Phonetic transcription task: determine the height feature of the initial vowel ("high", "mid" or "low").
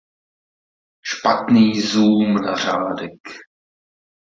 low